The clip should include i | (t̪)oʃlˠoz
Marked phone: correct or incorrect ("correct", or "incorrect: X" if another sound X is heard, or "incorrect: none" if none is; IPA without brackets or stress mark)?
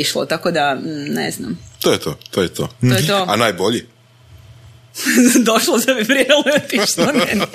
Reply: incorrect: d̪